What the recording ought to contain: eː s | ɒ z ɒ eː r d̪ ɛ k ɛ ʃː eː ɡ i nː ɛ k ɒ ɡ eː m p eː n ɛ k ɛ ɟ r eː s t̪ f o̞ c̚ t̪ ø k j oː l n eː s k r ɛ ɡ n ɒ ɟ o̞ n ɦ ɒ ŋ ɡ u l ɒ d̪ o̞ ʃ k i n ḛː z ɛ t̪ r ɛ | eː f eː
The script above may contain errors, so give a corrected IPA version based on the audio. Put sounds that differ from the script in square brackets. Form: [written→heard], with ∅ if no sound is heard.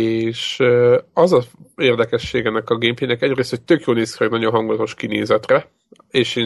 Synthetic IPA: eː [s→ʃ] | ɒ z ɒ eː r d̪ ɛ k ɛ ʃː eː ɡ [i→ɛ] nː ɛ k ɒ ɡ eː m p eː n ɛ k ɛ ɟ r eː s t̪ [f→h] o̞ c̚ t̪ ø k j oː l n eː s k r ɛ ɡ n ɒ ɟ o̞ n ɦ ɒ ŋ ɡ u l ɒ [d̪→t̪] o̞ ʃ k i n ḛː z ɛ t̪ r ɛ | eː [f→ʃ] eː